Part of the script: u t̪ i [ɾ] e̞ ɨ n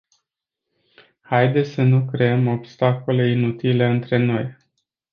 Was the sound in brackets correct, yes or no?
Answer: no